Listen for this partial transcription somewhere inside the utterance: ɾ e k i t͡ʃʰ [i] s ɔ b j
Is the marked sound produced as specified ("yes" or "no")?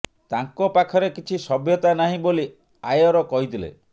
yes